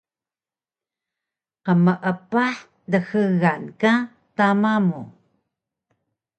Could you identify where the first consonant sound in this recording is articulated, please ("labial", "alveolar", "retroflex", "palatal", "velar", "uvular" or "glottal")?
uvular